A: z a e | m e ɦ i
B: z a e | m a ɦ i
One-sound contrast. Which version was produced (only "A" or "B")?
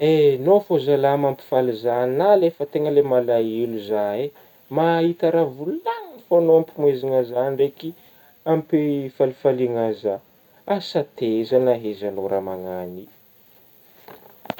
B